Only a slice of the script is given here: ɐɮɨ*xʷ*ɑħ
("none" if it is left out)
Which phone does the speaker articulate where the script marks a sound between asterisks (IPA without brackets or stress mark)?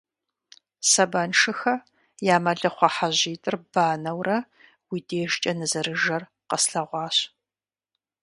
χʷ